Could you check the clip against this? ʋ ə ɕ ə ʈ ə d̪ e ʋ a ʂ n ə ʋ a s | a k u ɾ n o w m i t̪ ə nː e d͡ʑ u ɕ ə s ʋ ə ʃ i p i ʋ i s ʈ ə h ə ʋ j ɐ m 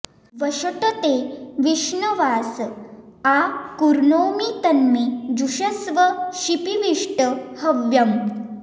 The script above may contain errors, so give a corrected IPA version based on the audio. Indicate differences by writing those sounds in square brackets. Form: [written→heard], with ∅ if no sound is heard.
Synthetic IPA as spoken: ʋ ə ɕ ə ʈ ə [d̪→t̪] e ʋ [a→i] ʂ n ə ʋ a s | a k u ɾ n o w m i t̪ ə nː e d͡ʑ u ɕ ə s ʋ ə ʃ i p i ʋ i [s→ʂ] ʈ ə h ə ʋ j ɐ m